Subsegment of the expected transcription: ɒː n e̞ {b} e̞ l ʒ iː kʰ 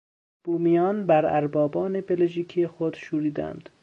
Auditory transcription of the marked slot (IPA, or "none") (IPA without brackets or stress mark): b